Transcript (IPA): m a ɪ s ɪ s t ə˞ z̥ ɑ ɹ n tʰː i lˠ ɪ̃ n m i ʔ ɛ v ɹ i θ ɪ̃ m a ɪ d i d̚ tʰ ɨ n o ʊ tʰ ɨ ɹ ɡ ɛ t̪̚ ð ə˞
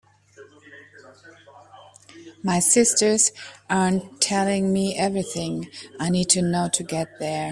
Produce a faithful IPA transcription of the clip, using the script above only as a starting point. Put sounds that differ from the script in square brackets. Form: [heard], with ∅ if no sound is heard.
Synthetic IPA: m a ɪ s ɪ s t ə˞ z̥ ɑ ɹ n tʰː [ɛ] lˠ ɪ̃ [ŋ] m i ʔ ɛ v ɹ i θ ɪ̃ [ŋ] a ɪ [n] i d̚ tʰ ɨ n o ʊ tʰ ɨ [∅] ɡ ɛ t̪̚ ð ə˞